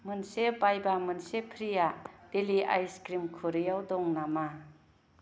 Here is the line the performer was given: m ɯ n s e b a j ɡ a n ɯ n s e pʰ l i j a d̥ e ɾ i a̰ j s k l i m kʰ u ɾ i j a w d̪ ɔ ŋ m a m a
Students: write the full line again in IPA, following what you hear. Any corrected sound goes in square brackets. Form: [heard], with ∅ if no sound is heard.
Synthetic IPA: m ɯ n s e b a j [b] a [m] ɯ n s e pʰ [ɾ] i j a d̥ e [l] i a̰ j s k [ɾ] i m kʰ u ɾ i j a w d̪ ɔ ŋ [n] a m a